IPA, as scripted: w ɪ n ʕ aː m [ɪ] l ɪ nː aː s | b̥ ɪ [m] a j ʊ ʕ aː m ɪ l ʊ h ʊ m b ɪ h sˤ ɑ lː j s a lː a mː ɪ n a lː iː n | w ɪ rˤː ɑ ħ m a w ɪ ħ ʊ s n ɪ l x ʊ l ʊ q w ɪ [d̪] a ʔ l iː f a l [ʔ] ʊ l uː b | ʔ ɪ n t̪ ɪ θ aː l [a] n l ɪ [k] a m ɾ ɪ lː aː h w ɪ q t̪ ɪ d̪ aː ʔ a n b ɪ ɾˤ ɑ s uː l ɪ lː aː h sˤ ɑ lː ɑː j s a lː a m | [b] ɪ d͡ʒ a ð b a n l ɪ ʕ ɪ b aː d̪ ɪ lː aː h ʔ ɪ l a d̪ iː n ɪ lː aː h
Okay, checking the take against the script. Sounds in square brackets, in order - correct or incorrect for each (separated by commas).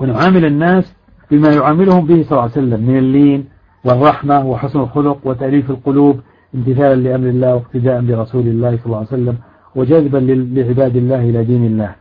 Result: correct, correct, incorrect, incorrect, correct, incorrect, incorrect